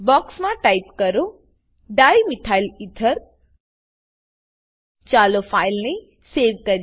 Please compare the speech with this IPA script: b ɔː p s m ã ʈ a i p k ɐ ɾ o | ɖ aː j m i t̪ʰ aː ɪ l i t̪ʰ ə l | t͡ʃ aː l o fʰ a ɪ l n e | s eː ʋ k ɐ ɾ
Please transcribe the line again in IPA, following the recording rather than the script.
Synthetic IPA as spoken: b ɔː k s m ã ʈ a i p k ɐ ɾ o | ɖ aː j m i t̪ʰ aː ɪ l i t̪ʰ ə ɾ | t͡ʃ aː l o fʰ a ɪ l n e | s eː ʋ k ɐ ɾ